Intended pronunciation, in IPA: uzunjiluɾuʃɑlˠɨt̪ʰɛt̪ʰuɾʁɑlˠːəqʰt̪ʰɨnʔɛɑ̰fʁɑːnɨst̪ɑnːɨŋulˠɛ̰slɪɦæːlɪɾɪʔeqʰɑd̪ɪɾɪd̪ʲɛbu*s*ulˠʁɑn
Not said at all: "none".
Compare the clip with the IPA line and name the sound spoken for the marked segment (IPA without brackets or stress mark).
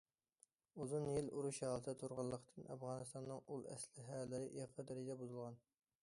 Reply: z